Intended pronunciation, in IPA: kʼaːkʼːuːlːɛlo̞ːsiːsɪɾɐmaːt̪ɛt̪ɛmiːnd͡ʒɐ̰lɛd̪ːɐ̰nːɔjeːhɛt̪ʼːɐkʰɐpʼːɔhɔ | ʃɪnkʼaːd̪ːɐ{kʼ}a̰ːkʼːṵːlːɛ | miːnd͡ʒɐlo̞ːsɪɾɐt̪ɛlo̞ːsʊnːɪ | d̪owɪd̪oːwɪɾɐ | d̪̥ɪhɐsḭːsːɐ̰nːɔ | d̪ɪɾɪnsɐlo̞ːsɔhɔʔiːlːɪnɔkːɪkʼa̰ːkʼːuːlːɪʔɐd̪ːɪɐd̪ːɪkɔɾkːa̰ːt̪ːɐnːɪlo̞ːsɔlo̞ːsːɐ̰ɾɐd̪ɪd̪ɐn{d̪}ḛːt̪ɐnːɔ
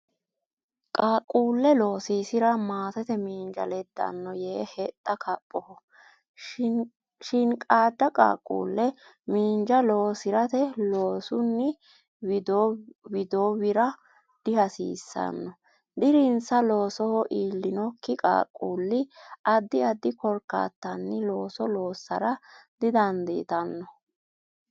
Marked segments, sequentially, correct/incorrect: correct, correct

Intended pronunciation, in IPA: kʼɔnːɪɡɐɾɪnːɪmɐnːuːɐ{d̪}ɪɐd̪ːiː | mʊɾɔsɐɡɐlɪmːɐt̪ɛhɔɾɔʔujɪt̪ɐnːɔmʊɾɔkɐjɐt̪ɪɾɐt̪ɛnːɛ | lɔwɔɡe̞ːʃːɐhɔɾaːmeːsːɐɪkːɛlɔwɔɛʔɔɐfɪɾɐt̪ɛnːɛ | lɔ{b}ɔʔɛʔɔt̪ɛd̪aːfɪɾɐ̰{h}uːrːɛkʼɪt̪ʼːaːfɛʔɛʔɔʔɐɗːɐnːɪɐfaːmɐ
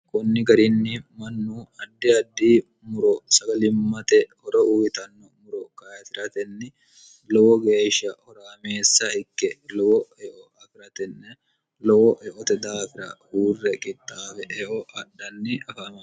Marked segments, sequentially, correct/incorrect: incorrect: d̪ː, incorrect: w, correct

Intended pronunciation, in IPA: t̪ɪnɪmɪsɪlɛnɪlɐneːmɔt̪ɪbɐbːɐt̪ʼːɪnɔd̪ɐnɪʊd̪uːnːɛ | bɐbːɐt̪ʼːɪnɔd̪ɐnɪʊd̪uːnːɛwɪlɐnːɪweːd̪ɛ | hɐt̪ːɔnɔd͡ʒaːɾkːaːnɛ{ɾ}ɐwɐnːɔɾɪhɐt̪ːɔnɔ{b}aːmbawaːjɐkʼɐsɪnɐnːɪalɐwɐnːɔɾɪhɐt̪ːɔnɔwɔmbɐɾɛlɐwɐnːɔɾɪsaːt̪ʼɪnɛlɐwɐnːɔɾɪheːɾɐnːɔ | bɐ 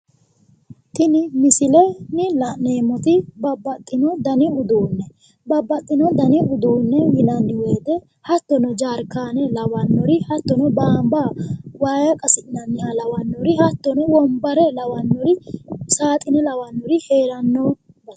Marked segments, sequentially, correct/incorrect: incorrect: l, correct

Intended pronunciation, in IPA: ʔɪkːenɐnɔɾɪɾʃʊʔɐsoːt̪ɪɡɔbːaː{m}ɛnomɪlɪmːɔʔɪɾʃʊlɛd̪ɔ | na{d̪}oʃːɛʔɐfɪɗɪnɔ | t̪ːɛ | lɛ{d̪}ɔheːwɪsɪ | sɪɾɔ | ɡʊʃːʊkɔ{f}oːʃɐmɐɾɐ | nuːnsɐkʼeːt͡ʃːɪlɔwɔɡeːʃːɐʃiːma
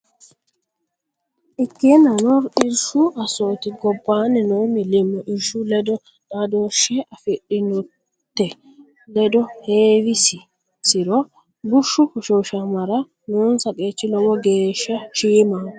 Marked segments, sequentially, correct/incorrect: incorrect: n, correct, correct, incorrect: ʃ

